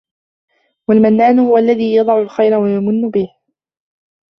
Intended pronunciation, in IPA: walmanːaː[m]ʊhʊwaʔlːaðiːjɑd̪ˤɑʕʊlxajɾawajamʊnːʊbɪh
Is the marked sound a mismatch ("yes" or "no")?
yes